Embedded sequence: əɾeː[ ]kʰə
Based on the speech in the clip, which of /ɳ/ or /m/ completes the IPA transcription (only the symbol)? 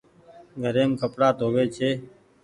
m